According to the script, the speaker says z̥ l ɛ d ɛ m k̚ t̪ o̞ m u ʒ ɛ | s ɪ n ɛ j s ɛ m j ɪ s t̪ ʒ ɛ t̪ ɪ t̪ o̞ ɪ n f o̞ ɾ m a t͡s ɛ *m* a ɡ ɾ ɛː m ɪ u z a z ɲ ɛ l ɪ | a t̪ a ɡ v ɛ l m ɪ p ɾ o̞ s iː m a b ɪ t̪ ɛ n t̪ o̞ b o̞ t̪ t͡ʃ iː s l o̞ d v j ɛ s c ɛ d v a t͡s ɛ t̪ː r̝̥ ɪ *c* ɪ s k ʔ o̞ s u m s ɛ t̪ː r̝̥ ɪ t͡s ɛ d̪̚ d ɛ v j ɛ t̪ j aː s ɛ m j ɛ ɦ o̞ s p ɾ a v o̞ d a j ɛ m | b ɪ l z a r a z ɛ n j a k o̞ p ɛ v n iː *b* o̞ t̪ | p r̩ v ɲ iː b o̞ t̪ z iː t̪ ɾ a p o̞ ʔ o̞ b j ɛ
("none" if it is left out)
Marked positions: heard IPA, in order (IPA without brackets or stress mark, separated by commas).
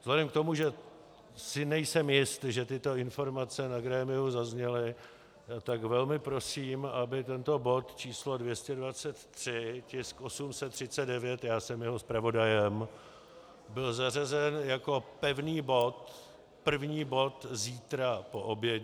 n, c, b